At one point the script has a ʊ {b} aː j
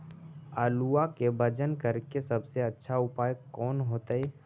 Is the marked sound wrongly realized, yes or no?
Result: yes